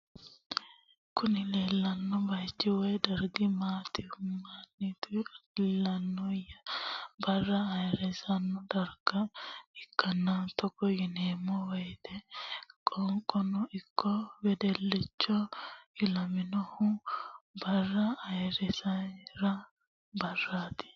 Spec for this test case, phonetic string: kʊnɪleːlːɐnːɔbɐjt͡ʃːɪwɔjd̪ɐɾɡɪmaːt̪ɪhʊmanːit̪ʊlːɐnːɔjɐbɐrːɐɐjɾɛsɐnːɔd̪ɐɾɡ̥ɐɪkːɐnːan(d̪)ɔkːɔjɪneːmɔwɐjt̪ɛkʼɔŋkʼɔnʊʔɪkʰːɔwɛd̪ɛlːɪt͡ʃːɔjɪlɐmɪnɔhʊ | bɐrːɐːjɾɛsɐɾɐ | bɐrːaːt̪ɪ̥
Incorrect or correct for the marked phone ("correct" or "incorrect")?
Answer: incorrect